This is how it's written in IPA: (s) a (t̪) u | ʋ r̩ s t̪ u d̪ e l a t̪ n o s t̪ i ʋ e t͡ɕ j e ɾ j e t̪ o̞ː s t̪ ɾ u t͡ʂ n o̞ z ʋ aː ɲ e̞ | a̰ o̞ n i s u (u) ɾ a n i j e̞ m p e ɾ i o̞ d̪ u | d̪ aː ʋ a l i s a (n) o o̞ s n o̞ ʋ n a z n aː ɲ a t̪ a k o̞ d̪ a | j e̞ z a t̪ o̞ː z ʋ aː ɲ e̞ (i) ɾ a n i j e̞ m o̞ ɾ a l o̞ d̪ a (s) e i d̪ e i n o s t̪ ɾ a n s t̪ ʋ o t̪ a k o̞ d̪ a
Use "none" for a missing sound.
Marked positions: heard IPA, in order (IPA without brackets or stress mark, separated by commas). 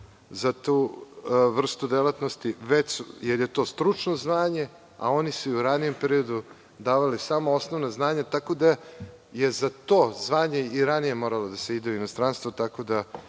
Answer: z, t̪, u, m, i, s